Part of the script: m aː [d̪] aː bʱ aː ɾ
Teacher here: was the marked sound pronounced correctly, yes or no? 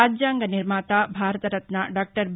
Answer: no